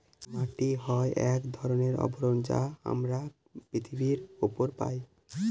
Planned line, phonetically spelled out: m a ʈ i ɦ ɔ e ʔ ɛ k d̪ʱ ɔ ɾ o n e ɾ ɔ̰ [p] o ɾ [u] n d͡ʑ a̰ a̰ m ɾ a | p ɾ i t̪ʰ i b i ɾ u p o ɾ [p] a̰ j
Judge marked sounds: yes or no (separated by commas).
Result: no, no, yes